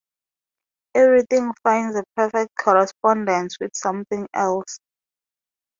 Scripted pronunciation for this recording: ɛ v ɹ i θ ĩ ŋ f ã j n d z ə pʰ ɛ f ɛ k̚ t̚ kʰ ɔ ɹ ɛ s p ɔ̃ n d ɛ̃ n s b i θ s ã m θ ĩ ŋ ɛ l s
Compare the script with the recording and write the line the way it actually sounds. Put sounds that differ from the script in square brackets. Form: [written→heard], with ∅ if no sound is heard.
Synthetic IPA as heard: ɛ v ɹ i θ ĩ ŋ f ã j n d z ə pʰ ɛ f ɛ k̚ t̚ kʰ ɔ ɹ ɛ s p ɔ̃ n d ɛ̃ n s [b→w] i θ s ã m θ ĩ ŋ ɛ l s